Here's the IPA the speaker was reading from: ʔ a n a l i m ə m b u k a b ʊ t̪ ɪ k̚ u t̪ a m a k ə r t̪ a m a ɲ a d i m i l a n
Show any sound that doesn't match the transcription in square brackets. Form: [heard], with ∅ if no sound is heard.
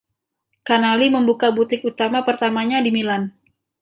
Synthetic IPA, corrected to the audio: [k] a n a l i m ə m b u k a b [u] t̪ ɪ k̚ u t̪ a m a [p] ə r t̪ a m a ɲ a d i m i l a n